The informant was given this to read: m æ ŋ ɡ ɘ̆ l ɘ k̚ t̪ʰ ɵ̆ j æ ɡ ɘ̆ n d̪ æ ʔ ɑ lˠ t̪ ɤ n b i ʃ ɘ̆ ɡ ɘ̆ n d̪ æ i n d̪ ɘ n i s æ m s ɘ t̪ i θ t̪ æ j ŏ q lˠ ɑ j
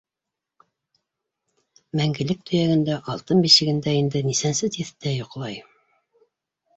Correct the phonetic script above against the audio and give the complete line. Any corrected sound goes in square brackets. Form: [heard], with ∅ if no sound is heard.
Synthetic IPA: m æ ŋ ɡ ɘ̆ l ɘ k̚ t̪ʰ ɵ̆ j æ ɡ ɘ̆ n d̪ æ ʔ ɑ lˠ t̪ ɤ n b i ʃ ɘ̆ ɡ ɘ̆ n d̪ æ i n d̪ ɘ n i s æ [n] s ɘ t̪ i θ t̪ æ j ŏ q lˠ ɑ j